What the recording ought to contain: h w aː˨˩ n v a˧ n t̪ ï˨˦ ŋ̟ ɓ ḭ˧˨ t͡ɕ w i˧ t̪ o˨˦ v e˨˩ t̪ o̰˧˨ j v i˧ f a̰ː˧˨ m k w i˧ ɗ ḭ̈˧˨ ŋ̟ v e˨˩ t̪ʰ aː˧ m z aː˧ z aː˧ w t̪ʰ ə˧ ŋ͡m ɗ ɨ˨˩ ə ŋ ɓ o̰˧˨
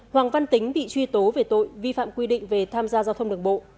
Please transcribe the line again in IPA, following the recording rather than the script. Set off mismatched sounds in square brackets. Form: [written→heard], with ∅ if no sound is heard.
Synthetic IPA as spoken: h w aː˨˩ [n→ŋ] v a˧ n t̪ ï˨˦ ŋ̟ ɓ ḭ˧˨ t͡ɕ w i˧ t̪ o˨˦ v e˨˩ t̪ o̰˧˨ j v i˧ f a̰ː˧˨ m k w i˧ ɗ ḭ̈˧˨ ŋ̟ v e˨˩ t̪ʰ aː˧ m z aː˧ z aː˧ w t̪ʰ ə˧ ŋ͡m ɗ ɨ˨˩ ə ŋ ɓ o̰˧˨